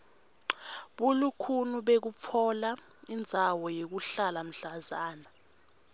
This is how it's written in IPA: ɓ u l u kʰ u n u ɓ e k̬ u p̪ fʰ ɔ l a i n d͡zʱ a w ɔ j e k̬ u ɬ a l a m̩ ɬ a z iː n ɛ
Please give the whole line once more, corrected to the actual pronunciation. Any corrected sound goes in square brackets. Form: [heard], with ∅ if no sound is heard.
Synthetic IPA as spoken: ɓ u l u kʰ u n u ɓ e k̬ u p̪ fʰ ɔ l a i n d͡zʱ a w ɔ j e k̬ u ɬ a l a m̩ ɬ a z [aː] n [a]